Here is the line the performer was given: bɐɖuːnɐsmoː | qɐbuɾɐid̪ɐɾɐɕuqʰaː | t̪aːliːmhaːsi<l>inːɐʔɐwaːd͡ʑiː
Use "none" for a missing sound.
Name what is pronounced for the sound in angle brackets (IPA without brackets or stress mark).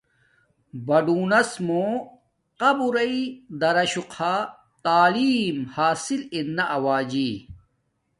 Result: l